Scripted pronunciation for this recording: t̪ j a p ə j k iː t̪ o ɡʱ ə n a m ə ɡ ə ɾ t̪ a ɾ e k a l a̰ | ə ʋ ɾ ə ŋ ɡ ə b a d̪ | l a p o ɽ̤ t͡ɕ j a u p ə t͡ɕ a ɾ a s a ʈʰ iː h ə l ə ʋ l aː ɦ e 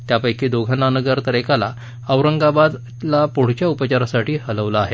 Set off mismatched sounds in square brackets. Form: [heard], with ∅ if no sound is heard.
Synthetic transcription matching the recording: t̪ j a p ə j k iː [d̪] o ɡʱ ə n a [n] ə ɡ ə ɾ t̪ [ə] ɾ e k a l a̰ | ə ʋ ɾ ə ŋ ɡ [a] b a d̪ | l a p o ɽ̤ t͡ɕ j a u p ə t͡ɕ a ɾ a s a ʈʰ iː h ə l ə ʋ l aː ɦ e